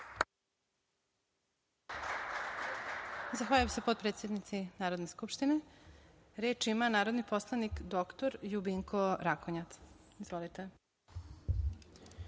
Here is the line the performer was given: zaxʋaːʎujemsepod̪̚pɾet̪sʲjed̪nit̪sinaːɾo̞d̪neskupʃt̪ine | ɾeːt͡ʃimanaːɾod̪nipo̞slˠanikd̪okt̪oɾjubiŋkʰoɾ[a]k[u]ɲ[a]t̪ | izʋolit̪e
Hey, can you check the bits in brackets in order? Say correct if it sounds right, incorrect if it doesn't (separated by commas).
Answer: correct, incorrect, correct